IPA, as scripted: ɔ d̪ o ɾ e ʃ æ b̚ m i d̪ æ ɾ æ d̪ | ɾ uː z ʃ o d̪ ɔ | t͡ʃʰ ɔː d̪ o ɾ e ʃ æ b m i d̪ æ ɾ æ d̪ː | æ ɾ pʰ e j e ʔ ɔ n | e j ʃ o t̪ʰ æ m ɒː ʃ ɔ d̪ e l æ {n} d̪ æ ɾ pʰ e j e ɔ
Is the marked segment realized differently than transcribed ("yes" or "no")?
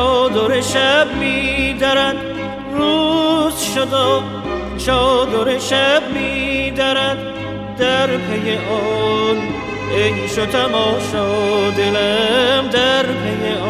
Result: yes